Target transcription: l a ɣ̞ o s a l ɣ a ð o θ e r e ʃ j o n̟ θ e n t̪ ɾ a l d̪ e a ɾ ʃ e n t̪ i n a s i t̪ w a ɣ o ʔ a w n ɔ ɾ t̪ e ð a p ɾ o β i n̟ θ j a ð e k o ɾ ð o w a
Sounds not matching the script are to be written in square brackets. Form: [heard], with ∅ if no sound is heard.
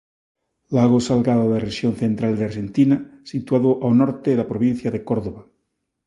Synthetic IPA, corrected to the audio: l a ɣ̞ o s a l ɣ a ð o [ð] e r e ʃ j o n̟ θ e n t̪ ɾ a l d̪ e a ɾ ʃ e n t̪ i n a s i t̪ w a [ð] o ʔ a w n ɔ ɾ t̪ e ð a p ɾ o β i n̟ θ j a ð e k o ɾ ð o [β] a